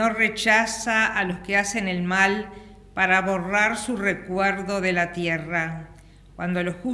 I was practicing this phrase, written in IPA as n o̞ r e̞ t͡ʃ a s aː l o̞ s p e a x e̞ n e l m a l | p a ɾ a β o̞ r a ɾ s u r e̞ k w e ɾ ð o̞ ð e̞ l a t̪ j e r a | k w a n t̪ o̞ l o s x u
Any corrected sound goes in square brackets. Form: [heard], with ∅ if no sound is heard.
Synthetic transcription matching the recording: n o̞ r e̞ t͡ʃ a s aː l o̞ s [k] e a [s] e̞ n e l m a l | p a ɾ a β o̞ r a ɾ s u r e̞ k w e ɾ ð o̞ ð e̞ l a t̪ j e r a | k w a n [d̪] o̞ l o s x u